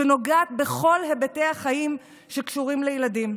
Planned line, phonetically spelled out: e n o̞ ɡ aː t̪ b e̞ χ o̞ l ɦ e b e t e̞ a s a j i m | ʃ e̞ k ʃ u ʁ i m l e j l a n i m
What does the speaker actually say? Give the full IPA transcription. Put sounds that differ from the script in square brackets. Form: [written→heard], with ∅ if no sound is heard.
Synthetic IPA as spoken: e n o̞ ɡ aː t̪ b e̞ χ o̞ l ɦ e b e t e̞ a [s→χ] a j i m | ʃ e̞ k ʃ u ʁ i m l e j l a [n→d] i m